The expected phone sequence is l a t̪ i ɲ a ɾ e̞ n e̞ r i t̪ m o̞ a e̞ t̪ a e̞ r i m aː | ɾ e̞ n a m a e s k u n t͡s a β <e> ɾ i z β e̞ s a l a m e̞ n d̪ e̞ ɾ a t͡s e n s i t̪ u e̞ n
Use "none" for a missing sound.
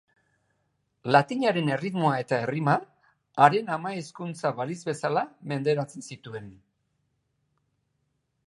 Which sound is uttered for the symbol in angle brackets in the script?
a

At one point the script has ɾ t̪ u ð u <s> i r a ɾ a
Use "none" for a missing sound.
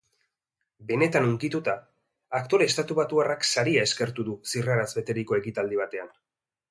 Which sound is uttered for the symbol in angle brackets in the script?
s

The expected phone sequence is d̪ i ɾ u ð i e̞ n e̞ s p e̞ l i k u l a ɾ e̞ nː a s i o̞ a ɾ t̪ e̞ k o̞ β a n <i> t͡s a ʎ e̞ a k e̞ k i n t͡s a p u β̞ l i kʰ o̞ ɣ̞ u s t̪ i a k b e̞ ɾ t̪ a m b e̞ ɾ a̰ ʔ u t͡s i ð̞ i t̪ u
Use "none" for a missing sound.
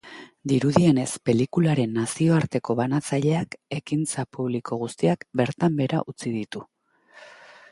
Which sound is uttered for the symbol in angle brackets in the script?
a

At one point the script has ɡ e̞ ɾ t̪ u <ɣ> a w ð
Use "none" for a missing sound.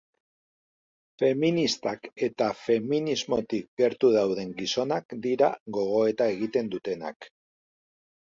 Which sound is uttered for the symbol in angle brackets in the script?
ð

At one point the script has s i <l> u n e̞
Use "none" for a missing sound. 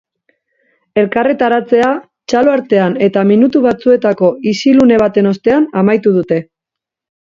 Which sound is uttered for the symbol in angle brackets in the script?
l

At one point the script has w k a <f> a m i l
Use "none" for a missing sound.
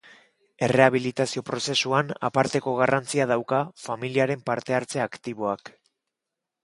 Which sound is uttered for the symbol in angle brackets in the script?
f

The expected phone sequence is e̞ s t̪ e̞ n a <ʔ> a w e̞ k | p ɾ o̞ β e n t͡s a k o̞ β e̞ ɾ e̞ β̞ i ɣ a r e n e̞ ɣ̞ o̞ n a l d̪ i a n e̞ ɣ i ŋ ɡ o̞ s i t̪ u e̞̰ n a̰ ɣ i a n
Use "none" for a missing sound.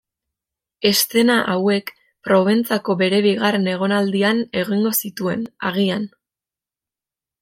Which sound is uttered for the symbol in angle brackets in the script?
ʔ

